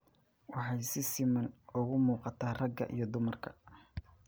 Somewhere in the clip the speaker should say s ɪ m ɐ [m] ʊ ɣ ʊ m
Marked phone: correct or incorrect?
incorrect